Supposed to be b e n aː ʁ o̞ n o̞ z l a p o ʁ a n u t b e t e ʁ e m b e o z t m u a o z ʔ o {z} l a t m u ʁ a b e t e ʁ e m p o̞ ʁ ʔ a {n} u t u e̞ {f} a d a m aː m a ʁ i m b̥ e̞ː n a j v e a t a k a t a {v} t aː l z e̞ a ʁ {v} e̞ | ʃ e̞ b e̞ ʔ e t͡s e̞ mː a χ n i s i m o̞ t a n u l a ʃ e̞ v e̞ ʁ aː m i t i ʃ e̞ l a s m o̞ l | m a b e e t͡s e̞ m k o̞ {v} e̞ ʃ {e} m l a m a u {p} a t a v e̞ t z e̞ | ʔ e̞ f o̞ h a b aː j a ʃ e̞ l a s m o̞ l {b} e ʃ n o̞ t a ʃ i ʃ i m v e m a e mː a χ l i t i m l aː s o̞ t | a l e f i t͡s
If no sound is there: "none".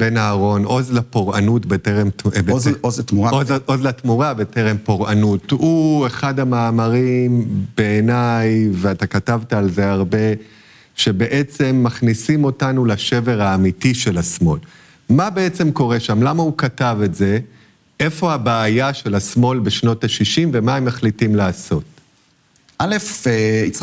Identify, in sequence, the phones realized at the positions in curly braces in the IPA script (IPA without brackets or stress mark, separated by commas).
z, n, χ, v, b, ʁ, a, k, b